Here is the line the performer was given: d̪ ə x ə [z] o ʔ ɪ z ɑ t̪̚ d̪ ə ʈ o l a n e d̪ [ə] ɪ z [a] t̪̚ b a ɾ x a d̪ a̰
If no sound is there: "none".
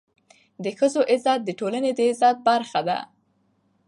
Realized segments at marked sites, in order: z, ə, ɑ

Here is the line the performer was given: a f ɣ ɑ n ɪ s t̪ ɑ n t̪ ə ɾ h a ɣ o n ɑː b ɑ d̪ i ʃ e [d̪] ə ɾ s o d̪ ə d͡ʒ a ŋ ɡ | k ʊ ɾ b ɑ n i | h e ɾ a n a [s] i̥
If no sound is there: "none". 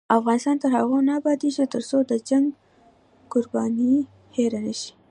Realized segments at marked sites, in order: t̪, ʃ

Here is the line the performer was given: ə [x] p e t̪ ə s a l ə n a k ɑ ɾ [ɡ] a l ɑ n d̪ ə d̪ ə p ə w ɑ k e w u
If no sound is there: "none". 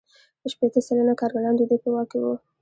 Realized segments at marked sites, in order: ʃ, ɡ

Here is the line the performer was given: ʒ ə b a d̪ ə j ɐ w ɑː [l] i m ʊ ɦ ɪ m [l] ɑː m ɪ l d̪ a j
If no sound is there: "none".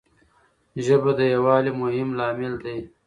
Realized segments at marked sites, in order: l, l

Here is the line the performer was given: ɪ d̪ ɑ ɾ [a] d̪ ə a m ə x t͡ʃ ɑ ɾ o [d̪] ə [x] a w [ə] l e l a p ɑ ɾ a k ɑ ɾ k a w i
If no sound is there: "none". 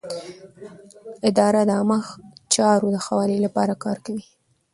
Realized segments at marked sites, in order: a, d̪, x, ɑ

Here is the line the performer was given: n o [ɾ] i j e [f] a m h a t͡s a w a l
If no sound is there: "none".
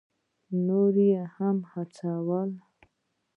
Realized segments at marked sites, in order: ɾ, h

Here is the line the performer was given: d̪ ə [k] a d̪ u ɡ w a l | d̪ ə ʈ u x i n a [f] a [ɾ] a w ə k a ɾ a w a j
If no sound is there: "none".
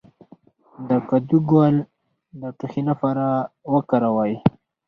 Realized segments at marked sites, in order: k, f, ɾ

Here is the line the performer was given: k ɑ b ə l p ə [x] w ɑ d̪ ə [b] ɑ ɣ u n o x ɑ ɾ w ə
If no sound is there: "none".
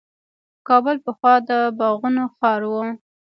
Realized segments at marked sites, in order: x, b

